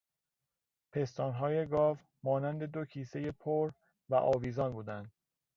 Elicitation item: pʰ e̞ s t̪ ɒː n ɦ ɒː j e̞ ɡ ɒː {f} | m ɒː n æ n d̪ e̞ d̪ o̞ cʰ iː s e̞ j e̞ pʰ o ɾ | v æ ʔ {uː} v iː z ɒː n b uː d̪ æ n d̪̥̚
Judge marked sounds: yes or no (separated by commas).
no, no